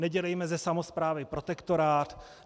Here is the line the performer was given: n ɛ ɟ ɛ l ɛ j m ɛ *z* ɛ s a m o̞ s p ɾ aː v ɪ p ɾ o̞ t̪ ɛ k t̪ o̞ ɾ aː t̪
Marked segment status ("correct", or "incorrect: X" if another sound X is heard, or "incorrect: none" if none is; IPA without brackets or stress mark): correct